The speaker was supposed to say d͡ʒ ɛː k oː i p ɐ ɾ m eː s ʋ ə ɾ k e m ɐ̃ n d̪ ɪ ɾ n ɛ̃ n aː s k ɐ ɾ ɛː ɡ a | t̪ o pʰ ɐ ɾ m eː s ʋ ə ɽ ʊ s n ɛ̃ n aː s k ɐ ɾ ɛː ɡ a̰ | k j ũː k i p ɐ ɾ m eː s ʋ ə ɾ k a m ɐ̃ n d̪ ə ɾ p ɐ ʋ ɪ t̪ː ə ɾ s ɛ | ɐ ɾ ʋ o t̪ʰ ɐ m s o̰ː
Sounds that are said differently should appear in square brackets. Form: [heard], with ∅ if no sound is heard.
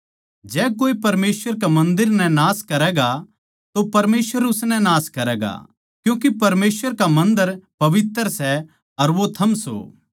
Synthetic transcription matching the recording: d͡ʒ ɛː k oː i p ɐ ɾ m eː s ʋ ə ɾ k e m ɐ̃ n d̪ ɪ ɾ n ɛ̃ n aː s k ɐ ɾ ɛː ɡ a | t̪ o [p] ɐ ɾ m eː s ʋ ə [ɾ] ʊ s n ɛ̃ n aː s k ɐ ɾ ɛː ɡ a̰ | k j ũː k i p ɐ ɾ m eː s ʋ ə ɾ k a m ɐ̃ n d̪ ə ɾ p ɐ ʋ ɪ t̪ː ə ɾ s ɛ | ɐ ɾ ʋ o t̪ʰ ɐ m s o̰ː